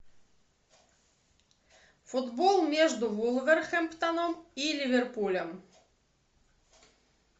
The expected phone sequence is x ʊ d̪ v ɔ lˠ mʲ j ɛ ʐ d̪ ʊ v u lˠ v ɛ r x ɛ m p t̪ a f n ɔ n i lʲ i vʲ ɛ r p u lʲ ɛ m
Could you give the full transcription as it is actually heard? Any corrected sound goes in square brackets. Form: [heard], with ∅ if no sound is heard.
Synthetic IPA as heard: [f] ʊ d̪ [b] ɔ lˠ mʲ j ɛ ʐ d̪ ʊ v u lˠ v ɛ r x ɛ m p t̪ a [∅] n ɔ [m] i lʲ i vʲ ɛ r p u lʲ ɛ m

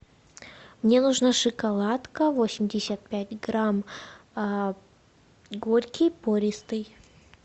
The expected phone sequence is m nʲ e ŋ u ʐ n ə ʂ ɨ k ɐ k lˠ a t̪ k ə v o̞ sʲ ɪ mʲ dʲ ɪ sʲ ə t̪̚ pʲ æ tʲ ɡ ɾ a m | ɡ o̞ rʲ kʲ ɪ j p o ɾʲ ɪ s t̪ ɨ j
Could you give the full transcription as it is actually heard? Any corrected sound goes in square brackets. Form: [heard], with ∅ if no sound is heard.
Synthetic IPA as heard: m nʲ e [n] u ʐ n [a] ʂ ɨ k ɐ [∅] lˠ a t̪ k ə v o̞ sʲ ɪ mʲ dʲ ɪ sʲ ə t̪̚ pʲ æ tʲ ɡ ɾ a m | ɡ o̞ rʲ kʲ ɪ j p o ɾʲ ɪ s t̪ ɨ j

